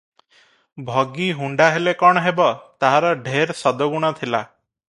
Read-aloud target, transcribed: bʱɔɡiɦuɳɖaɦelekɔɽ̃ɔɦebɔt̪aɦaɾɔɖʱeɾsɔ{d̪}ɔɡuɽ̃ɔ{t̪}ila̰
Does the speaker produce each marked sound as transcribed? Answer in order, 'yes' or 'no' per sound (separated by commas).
yes, no